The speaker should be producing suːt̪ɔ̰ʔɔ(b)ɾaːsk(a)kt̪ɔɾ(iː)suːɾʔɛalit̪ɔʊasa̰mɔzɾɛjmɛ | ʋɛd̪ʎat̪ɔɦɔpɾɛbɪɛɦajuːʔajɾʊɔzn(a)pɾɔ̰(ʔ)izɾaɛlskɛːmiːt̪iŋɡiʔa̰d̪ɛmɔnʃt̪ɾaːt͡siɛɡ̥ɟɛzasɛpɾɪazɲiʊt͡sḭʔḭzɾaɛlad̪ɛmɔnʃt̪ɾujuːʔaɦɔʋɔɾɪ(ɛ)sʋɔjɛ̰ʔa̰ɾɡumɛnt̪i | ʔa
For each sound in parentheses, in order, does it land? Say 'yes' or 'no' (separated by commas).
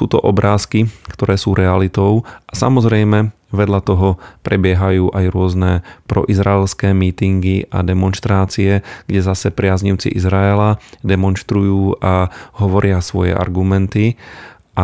yes, no, no, no, yes, no